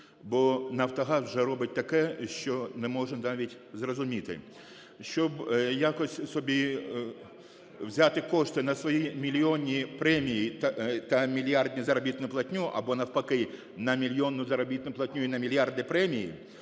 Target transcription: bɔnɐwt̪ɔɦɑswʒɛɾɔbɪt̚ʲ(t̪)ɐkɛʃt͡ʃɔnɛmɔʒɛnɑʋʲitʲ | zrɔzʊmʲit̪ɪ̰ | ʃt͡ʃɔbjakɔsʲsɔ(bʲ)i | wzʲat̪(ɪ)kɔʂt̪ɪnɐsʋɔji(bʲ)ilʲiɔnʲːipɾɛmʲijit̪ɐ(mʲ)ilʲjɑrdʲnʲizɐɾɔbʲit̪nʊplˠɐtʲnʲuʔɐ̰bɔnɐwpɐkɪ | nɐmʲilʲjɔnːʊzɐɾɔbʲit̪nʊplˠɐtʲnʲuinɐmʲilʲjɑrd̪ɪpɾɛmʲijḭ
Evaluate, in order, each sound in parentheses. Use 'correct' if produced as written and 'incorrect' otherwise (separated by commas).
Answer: correct, correct, correct, incorrect, correct